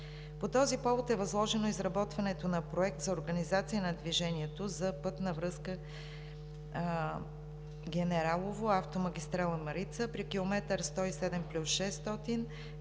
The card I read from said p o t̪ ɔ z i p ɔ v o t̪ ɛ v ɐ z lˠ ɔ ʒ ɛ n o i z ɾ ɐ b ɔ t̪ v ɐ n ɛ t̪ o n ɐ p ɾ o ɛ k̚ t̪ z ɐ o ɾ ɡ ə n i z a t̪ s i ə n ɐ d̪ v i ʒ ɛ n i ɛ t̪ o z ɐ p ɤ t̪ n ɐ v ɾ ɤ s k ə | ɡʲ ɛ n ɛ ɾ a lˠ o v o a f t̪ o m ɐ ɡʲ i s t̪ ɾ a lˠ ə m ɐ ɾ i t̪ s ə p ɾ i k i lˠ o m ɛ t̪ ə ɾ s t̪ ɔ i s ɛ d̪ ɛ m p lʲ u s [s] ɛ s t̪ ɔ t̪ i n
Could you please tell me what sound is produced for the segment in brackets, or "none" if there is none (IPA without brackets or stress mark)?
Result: ʃ